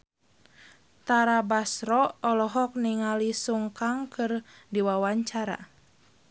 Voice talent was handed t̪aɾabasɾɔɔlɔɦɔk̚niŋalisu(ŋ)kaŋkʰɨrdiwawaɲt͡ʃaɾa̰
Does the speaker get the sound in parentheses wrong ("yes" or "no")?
no